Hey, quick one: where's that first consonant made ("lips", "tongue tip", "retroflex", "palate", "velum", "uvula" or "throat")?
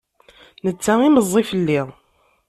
tongue tip